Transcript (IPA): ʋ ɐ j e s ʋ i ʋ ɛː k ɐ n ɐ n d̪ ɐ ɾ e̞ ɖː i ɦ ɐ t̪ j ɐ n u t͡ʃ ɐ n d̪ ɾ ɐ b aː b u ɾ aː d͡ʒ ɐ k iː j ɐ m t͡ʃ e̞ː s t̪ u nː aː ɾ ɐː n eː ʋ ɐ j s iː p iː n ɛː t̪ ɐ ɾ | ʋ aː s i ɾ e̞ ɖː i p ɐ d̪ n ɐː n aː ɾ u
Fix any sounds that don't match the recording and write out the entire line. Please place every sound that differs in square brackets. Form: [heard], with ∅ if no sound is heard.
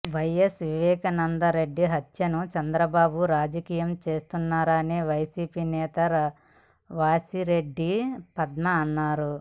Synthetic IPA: ʋ ɐ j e s ʋ i ʋ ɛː k ɐ n ɐ n d̪ ɐ ɾ e̞ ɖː i ɦ ɐ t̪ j ɐ n u t͡ʃ ɐ n d̪ ɾ ɐ b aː b u ɾ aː d͡ʒ ɐ k iː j ɐ m t͡ʃ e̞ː s t̪ u nː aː ɾ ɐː n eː ʋ ɐ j s iː p iː n ɛː t̪ ɐ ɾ | ʋ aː s i ɾ e̞ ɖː i p ɐ d̪ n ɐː [nː] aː ɾ u